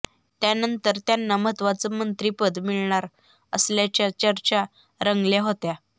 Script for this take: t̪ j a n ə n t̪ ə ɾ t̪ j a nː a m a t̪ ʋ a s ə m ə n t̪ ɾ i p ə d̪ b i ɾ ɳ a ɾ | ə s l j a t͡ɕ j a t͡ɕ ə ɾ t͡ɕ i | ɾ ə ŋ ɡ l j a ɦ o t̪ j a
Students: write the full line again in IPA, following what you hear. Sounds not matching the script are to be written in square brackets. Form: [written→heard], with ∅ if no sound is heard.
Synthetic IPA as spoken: t̪ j a n ə n t̪ ə ɾ t̪ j a nː a m [a→ə] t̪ ʋ a [s→t͡s] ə m ə n t̪ ɾ i p ə d̪ [b→m] i [ɾ→ɭ] ɳ a ɾ | ə s l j a t͡ɕ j a t͡ɕ ə ɾ t͡ɕ [i→a] | ɾ ə ŋ ɡ l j a ɦ o t̪ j a

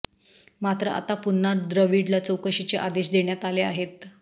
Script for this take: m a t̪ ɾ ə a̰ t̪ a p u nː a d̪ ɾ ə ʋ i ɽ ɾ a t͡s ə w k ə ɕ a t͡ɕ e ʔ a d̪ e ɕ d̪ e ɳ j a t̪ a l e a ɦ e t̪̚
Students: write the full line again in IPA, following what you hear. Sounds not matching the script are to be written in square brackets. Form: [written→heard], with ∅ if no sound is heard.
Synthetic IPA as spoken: m a t̪ ɾ ə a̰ t̪ a p u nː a d̪ ɾ ə ʋ i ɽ [ɾ→l] a t͡s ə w k ə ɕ [a→i] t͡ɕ e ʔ a d̪ e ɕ d̪ e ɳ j a t̪ a l e a ɦ e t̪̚

